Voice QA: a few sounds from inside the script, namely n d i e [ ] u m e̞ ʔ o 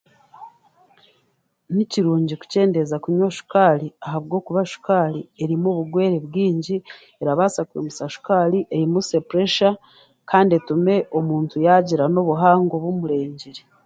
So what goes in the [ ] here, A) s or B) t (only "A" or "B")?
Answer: B